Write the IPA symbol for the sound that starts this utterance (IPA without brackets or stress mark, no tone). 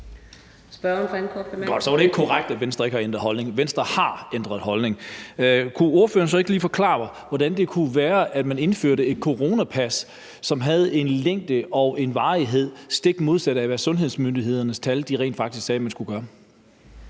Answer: s